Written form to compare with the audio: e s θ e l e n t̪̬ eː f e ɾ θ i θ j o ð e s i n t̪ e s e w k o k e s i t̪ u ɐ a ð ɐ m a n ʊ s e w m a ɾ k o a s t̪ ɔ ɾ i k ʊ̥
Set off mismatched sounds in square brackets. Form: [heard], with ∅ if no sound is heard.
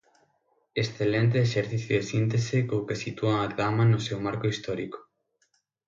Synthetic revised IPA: e s θ e l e n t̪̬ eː [ʃ] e ɾ θ i θ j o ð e s i n t̪ e s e [∅] k o k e s i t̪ u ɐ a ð [a] m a n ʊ s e w m a ɾ k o [i] s t̪ ɔ ɾ i k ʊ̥